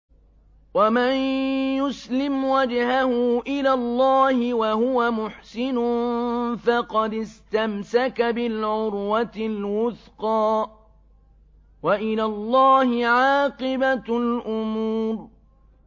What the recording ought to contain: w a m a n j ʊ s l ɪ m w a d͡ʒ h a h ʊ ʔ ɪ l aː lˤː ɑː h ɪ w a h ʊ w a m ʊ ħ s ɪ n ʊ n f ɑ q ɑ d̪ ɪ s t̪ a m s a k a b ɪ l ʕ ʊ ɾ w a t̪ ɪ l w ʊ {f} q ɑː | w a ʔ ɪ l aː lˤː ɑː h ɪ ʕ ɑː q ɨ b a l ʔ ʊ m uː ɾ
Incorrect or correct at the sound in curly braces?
incorrect: θ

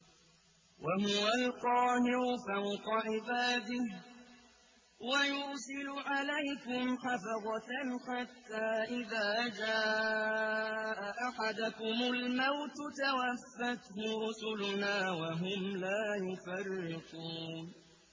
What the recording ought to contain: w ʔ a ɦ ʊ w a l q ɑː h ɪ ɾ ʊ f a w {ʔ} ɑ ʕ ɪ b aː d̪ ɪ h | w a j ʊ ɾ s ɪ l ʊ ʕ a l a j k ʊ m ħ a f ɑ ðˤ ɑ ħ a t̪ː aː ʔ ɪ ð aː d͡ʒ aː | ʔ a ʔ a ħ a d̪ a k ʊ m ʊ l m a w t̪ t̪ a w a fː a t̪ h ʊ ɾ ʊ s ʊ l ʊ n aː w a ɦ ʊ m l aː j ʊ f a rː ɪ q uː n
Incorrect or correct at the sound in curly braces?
incorrect: q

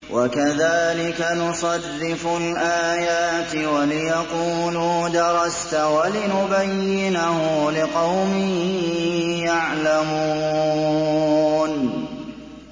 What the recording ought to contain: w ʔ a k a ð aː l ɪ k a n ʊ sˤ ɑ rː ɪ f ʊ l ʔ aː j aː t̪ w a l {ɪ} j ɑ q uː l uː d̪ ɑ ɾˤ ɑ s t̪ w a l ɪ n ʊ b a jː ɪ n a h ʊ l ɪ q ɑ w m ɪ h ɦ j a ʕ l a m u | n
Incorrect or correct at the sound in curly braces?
correct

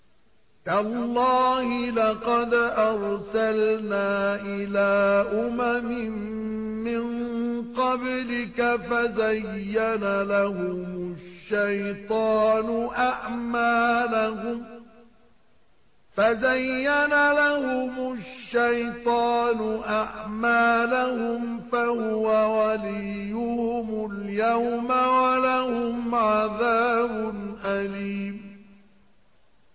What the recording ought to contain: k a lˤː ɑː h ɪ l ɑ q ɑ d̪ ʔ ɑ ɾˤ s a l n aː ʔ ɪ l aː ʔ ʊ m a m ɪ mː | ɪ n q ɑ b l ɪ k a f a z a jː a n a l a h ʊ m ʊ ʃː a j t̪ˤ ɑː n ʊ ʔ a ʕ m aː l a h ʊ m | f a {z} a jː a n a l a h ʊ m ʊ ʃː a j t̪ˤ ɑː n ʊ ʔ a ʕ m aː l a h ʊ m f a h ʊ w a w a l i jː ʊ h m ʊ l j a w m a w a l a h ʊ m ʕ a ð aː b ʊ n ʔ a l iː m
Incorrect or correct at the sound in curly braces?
correct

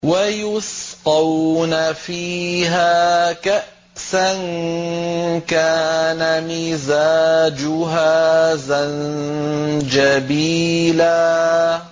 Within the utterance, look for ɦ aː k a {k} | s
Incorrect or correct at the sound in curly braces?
incorrect: ʔ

